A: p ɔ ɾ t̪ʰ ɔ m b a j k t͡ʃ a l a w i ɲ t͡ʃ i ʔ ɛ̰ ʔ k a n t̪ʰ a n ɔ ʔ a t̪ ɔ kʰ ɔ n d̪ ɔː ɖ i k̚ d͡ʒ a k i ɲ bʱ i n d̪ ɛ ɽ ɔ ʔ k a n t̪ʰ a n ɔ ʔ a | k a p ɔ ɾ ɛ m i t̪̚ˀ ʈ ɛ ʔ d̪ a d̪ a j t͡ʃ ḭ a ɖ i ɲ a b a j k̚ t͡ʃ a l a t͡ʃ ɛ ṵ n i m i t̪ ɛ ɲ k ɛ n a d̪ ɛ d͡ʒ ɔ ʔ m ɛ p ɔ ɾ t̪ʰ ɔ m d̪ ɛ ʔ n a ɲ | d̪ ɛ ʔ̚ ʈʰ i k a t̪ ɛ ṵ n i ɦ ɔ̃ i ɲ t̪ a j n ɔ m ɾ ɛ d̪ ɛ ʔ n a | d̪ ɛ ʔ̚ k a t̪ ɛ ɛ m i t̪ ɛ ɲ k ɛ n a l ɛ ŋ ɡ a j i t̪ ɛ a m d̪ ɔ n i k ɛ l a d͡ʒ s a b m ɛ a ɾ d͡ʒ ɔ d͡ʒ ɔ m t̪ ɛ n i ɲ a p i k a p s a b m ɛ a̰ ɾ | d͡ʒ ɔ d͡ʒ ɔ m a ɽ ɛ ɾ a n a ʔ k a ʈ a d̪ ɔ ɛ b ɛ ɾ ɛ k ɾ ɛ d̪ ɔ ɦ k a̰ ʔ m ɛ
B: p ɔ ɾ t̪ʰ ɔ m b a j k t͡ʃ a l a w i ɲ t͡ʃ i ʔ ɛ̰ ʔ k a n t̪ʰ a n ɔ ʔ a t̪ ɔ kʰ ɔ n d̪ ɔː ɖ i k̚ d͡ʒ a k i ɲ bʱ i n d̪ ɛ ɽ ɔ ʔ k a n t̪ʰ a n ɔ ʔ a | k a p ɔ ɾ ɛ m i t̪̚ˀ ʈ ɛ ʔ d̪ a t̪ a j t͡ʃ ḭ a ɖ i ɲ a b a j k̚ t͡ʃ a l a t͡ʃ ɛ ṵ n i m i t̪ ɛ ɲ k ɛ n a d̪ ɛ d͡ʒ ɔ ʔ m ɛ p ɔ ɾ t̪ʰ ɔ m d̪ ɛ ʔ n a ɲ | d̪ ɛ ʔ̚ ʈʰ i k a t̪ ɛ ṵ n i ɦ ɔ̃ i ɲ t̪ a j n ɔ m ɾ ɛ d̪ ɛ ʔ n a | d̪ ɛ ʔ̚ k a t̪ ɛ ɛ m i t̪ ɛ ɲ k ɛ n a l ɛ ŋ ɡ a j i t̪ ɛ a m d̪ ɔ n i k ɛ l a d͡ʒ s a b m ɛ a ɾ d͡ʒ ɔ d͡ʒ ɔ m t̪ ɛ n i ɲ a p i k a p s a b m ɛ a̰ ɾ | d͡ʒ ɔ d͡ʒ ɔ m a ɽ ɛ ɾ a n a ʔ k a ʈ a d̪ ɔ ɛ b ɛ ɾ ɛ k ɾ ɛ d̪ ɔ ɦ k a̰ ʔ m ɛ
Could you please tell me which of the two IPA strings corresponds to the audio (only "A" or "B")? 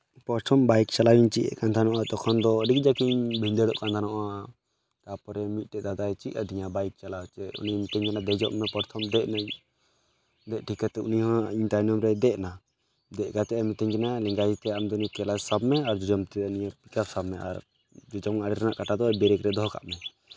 A